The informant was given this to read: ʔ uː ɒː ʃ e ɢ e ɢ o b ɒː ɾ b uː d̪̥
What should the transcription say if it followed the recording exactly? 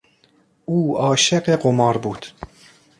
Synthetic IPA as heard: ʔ uː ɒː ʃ e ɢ e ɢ o m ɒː ɾ b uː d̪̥